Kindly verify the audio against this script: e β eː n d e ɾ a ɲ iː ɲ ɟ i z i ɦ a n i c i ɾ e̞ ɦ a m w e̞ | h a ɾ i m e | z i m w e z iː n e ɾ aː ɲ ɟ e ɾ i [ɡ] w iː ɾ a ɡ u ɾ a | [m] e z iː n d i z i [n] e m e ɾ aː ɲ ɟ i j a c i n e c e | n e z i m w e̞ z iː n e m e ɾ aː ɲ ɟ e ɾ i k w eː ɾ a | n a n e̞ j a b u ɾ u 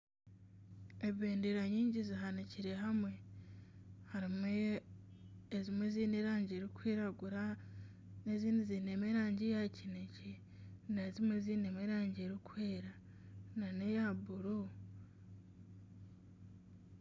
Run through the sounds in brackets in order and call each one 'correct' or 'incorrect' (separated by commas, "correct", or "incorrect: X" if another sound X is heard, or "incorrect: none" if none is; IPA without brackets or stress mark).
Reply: incorrect: k, incorrect: n, correct